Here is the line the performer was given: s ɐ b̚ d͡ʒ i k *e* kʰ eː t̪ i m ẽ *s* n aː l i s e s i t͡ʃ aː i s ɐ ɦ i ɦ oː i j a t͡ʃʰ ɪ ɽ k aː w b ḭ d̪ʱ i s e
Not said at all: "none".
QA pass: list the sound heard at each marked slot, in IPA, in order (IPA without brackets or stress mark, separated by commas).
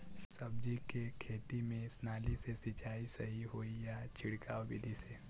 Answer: e, s